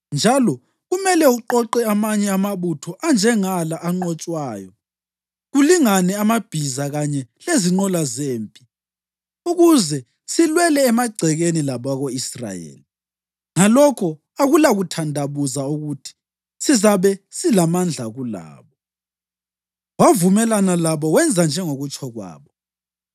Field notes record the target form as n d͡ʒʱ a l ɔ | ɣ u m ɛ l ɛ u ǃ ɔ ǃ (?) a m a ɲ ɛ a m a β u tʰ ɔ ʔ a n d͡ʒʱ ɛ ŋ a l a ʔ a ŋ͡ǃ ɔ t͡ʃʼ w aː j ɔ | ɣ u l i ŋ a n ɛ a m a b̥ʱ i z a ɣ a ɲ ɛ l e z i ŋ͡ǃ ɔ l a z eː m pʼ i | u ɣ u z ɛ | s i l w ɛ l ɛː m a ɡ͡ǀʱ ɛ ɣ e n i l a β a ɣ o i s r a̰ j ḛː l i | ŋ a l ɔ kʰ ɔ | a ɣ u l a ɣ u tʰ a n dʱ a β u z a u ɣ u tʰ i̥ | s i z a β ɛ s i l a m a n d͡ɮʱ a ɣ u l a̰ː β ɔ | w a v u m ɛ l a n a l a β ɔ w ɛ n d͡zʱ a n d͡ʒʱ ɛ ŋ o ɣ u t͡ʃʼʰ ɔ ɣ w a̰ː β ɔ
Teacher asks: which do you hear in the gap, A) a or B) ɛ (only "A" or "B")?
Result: B